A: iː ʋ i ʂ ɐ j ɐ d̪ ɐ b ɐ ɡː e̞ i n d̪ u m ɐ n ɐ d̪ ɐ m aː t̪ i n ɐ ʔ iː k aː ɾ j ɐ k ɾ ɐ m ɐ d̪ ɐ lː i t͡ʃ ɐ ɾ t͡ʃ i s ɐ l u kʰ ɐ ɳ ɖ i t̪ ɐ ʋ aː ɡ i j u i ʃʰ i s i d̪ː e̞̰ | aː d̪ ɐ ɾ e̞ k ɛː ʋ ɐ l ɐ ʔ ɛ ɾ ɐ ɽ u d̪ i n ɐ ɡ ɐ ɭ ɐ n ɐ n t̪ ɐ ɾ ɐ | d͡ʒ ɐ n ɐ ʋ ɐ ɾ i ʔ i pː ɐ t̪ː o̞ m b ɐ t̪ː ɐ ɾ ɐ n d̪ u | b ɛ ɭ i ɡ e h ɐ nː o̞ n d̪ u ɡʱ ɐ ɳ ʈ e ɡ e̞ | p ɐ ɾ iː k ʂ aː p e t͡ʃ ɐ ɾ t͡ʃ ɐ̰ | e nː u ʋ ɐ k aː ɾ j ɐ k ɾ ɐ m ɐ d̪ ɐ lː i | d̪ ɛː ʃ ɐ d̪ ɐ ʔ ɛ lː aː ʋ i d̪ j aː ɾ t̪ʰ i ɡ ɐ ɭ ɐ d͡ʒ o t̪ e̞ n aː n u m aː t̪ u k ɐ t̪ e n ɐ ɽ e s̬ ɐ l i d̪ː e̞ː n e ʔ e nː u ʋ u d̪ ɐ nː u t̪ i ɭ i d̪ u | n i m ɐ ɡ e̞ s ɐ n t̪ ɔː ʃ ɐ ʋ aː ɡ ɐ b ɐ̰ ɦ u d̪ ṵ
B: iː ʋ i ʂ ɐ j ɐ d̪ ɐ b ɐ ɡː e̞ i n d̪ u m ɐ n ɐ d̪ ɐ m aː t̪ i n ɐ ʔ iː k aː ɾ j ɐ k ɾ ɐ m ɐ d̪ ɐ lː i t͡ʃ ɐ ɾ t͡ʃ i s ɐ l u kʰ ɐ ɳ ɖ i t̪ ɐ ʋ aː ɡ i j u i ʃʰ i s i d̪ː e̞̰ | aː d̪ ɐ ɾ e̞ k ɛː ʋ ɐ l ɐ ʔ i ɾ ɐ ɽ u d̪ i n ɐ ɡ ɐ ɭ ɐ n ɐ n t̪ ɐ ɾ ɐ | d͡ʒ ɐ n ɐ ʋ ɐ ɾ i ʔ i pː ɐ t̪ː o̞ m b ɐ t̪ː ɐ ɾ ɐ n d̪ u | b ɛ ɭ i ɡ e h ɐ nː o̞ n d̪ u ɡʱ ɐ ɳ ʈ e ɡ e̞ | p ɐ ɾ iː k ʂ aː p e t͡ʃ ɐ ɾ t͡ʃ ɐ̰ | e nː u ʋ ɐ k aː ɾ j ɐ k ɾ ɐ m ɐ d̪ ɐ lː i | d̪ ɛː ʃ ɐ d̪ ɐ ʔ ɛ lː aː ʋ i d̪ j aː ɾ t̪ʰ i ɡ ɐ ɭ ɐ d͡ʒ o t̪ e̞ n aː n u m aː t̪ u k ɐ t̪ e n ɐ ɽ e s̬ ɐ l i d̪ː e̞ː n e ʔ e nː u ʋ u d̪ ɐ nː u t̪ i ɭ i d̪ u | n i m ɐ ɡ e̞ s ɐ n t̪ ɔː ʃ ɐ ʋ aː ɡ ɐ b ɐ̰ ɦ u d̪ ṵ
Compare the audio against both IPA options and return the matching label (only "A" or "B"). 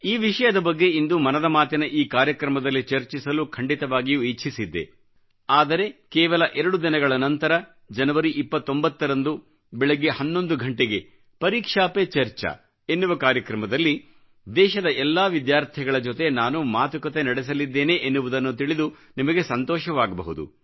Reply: A